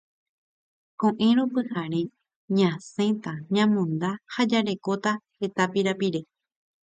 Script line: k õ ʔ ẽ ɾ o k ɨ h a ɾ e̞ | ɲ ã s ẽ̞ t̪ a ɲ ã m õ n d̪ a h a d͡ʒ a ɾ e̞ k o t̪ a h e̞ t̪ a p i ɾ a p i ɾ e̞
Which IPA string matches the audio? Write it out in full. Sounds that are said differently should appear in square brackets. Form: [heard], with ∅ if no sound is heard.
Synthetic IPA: k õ ʔ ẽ ɾ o [p] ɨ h a ɾ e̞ | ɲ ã s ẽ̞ t̪ a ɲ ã m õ n d̪ a h a d͡ʒ a ɾ e̞ k o t̪ a h e̞ t̪ a p i ɾ a p i ɾ e̞

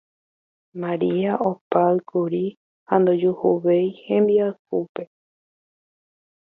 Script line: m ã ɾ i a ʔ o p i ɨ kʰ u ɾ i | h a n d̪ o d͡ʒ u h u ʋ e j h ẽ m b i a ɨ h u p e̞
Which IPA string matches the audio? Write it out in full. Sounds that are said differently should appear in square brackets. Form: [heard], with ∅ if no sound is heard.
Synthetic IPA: m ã ɾ i a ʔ o p [a] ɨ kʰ u ɾ i | h a n d̪ o d͡ʒ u h u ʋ e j h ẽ m b i a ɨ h u p e̞

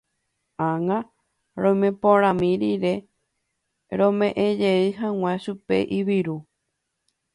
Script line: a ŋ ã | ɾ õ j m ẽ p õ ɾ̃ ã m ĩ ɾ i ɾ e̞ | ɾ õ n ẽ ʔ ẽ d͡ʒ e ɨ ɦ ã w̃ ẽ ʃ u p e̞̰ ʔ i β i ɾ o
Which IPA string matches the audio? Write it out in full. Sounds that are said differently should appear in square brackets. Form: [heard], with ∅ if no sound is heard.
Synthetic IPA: a ŋ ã | ɾ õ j m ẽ p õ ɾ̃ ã m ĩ ɾ i ɾ e̞ | ɾ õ [m] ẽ ʔ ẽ d͡ʒ e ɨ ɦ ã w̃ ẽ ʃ u p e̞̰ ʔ i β i ɾ [u]

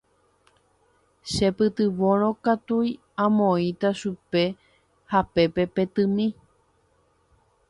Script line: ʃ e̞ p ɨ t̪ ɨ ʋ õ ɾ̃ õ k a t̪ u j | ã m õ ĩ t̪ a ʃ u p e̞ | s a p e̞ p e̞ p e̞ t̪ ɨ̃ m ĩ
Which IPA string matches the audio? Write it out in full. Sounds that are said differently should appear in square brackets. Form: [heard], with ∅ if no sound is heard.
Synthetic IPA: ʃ e̞ p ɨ t̪ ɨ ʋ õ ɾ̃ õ k a t̪ u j | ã m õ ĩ t̪ a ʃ u p e̞ | [h] a p e̞ p e̞ p e̞ t̪ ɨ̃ m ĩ

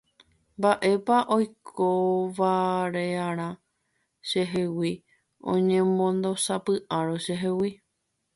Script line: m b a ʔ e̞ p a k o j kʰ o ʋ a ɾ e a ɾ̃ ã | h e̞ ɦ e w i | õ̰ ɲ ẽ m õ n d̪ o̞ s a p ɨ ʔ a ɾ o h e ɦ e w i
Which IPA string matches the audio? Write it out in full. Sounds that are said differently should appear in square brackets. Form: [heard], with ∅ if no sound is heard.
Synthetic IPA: m b a ʔ e̞ p a [ʔ] o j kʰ o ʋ a ɾ e a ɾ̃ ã | [ʃ] e̞ ɦ e w i | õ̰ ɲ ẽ m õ n d̪ o̞ s a p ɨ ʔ a ɾ o [ʃ] e ɦ e w i

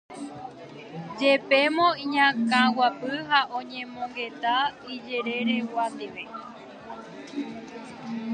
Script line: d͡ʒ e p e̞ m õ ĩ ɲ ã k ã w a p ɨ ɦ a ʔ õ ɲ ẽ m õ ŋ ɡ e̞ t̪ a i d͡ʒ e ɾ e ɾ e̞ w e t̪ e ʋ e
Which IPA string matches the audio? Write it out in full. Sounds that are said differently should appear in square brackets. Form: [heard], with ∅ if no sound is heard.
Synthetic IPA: d͡ʒ e p e̞ m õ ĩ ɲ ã k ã w a p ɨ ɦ a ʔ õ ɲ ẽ m õ ŋ ɡ e̞ t̪ a i d͡ʒ e ɾ e ɾ e̞ w [a] t̪ e ʋ e

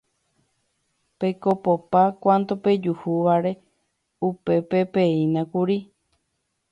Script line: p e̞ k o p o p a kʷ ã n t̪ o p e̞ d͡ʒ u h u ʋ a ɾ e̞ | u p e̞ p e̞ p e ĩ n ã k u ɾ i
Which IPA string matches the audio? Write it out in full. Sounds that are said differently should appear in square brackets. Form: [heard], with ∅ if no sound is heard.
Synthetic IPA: p e̞ k o p o p a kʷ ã n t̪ o p e̞ d͡ʒ u h u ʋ a ɾ e̞ | u p e̞ p e̞ p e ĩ n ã k u ɾ i

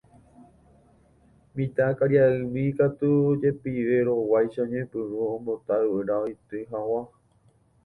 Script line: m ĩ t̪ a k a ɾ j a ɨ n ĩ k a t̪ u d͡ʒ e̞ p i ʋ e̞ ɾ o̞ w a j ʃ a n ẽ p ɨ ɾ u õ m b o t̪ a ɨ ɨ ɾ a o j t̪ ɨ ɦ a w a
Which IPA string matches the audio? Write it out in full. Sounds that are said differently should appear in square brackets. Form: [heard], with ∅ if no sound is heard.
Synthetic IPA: m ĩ t̪ a k a ɾ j a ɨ [m] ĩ k a t̪ u d͡ʒ e̞ p i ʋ e̞ ɾ o̞ w a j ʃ a [ɲ] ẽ p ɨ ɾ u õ m b o t̪ a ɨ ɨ ɾ a o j t̪ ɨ ɦ a w a

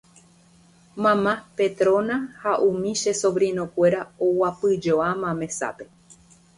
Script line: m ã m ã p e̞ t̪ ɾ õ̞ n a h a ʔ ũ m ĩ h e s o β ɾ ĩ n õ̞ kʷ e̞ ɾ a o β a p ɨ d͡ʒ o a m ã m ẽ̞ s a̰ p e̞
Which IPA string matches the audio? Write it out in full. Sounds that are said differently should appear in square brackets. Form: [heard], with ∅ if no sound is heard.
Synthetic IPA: m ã m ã p e̞ t̪ ɾ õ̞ n a h a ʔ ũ m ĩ [ʃ] e s o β ɾ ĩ n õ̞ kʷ e̞ ɾ a o [w] a p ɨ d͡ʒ o a m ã m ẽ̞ s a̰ p e̞

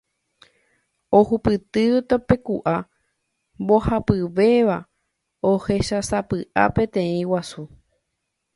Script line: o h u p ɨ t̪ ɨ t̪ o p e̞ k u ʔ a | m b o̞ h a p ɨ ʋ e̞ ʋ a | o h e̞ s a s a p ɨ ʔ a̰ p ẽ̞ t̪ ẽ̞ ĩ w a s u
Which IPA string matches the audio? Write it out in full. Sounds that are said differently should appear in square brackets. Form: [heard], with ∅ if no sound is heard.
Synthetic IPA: o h u p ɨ t̪ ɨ t̪ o p e̞ k u ʔ a | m b o̞ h a p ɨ ʋ e̞ ʋ a | o h e̞ [ʃ] a s a p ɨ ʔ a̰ p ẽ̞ t̪ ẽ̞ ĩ w a s u

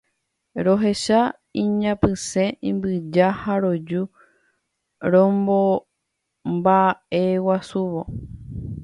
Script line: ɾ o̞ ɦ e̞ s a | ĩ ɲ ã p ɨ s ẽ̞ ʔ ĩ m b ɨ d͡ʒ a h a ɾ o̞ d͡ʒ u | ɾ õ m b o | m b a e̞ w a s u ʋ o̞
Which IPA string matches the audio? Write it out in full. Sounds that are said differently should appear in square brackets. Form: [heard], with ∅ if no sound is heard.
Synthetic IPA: ɾ o̞ ɦ e̞ [ʃ] a | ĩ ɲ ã p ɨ s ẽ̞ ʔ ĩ m b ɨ d͡ʒ a h a ɾ o̞ d͡ʒ u | ɾ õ m b o | m b a e̞ w a s u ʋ o̞

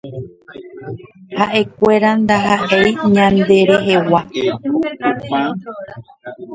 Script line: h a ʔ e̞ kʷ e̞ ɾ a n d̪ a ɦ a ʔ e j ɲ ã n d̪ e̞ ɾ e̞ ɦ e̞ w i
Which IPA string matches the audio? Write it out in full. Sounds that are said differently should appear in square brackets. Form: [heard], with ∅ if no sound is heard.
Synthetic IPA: h a ʔ e̞ kʷ e̞ ɾ a n d̪ a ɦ a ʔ e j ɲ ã n d̪ e̞ ɾ e̞ ɦ e̞ w [a]

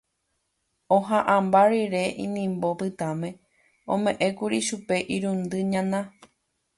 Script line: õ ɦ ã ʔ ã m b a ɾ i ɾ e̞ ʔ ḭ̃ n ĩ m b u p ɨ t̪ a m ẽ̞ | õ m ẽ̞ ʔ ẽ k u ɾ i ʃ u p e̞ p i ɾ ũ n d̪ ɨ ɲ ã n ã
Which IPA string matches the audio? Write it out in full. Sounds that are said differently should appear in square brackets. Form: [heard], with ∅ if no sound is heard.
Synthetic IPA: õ ɦ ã ʔ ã m b a ɾ i ɾ e̞ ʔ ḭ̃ n ĩ m b [o] p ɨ t̪ a m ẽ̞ | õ m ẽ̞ ʔ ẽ k u ɾ i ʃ u p e̞ [ʔ] i ɾ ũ n d̪ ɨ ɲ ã n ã

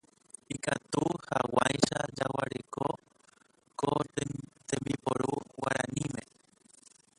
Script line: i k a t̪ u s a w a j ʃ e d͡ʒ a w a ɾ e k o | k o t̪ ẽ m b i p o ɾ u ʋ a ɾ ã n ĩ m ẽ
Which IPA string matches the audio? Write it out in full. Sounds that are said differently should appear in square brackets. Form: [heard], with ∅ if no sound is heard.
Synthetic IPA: i k a t̪ u [h] a w a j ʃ [a] d͡ʒ a w a ɾ e k o | k o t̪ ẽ m b i p o ɾ u [w] a ɾ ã n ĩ m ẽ

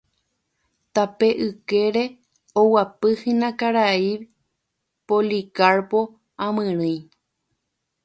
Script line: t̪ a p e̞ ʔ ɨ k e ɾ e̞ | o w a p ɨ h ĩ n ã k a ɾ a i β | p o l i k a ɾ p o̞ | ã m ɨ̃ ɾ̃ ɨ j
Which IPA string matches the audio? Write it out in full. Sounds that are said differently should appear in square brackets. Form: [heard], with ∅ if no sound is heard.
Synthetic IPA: t̪ a p e̞ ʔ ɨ k e ɾ e̞ | o w a p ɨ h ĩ n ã k a ɾ a i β | p o l i k a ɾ p o̞ | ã m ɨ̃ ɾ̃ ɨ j

